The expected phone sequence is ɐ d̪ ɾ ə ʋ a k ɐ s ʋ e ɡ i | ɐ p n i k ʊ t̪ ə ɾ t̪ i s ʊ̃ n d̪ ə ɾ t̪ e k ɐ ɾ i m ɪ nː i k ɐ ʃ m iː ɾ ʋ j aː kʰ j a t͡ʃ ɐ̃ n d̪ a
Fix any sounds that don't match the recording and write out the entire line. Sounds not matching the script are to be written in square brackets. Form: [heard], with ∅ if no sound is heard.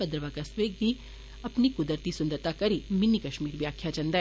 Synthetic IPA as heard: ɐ d̪ ɾ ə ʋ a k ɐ s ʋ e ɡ i | ɐ p n i k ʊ [d̪] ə ɾ t̪ i s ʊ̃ n d̪ ə ɾ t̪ [a] k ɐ ɾ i m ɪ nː i k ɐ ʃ m iː ɾ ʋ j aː kʰ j a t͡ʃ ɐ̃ n d̪ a